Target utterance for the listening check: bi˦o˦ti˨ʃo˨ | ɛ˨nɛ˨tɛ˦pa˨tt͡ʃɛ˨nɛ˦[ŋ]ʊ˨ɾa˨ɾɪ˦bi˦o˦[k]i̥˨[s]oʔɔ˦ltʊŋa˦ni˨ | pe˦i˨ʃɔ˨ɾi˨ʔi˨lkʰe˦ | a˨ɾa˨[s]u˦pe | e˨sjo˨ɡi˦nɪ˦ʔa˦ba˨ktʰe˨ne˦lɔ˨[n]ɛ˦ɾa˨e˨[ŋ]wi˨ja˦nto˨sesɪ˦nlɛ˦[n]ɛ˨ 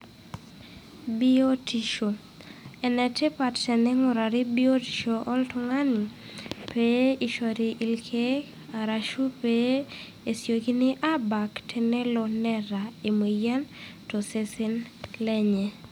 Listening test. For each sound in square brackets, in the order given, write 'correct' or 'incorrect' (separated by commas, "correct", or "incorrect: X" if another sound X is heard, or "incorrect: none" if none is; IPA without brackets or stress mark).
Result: correct, incorrect: t, incorrect: ʃ, incorrect: ʃ, correct, incorrect: m, incorrect: ɲ